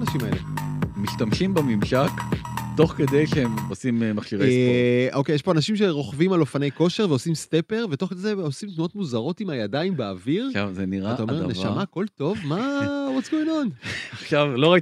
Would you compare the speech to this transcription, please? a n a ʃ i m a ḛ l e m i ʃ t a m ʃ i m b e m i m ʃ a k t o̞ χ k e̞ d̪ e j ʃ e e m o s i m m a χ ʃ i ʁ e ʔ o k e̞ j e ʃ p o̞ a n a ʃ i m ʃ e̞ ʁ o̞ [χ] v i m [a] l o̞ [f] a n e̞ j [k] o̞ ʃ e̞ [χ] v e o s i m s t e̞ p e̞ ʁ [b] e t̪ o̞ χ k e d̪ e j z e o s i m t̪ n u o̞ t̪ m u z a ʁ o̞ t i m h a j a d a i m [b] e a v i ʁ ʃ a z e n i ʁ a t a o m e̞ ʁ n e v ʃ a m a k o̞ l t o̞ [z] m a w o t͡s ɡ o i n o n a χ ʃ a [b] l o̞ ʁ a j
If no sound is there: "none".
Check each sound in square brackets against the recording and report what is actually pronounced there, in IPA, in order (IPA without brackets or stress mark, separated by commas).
χ, a, f, k, ʁ, v, b, v, v